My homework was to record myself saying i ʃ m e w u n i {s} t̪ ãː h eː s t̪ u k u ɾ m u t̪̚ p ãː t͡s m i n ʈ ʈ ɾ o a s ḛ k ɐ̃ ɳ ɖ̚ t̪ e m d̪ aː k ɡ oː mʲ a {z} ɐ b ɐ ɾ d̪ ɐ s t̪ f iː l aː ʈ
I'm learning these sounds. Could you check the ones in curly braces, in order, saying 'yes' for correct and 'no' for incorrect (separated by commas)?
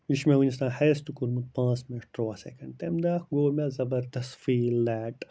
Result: yes, yes